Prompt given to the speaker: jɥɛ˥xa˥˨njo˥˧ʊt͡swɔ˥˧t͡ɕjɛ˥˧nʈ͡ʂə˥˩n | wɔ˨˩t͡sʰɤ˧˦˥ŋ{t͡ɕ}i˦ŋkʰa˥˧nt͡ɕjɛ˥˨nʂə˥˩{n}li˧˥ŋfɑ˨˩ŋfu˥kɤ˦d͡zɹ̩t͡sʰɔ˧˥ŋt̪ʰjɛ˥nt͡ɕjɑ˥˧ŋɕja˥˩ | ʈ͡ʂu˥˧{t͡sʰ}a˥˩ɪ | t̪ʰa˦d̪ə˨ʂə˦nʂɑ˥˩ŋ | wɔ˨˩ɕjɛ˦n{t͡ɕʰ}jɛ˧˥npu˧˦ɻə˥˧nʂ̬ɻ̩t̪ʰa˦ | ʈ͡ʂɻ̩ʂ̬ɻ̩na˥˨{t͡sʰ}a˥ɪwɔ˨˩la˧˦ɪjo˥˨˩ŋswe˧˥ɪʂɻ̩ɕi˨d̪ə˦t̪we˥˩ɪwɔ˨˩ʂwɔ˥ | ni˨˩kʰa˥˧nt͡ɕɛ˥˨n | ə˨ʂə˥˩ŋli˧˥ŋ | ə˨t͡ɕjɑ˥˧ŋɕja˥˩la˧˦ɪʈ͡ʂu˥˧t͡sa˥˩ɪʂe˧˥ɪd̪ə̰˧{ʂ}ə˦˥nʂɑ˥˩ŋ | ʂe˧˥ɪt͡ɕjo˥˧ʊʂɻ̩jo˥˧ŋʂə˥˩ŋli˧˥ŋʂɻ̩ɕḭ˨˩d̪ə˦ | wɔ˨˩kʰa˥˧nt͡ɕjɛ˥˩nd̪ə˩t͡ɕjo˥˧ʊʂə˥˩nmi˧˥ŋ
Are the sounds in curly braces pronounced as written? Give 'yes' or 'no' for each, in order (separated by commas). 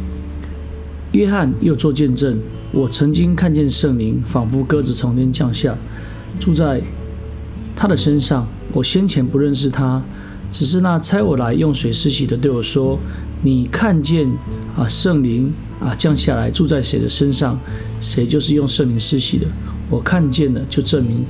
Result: yes, no, no, yes, yes, yes